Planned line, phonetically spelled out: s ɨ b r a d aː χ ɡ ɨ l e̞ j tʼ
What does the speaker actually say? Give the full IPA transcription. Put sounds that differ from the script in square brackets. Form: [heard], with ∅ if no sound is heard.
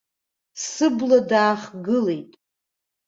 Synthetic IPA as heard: s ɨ b [l] a d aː χ ɡ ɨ l e̞ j tʼ